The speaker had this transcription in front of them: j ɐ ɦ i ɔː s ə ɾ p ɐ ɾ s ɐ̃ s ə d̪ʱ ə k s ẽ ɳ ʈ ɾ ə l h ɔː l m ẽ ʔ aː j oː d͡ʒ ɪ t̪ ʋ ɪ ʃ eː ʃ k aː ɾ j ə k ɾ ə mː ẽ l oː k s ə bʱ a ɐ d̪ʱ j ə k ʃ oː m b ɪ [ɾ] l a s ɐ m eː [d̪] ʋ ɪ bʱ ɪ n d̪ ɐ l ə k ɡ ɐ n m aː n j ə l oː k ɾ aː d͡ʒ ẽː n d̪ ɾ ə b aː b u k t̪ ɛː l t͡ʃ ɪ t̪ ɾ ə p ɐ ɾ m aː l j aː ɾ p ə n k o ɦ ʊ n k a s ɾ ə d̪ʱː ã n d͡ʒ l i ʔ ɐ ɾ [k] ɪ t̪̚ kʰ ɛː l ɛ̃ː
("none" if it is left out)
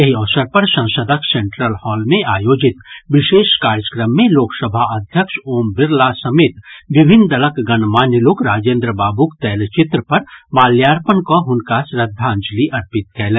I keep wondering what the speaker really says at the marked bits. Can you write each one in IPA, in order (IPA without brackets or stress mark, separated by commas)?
ɾ, t̪, p